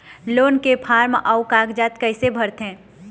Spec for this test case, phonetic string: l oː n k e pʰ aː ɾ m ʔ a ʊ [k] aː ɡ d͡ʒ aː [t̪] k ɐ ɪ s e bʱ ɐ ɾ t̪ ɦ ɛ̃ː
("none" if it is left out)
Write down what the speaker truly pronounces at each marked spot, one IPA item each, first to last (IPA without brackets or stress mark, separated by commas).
k, t̪